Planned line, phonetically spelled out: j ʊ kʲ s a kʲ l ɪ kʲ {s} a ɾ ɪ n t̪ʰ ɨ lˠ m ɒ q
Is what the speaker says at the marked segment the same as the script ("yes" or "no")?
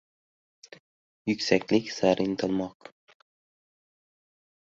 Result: yes